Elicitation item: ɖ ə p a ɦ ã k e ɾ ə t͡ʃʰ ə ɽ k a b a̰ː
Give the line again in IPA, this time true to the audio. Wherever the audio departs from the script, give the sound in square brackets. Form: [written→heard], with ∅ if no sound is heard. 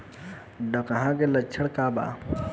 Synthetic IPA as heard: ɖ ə [p→k] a ɦ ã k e [ɾ→l] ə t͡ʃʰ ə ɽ k a b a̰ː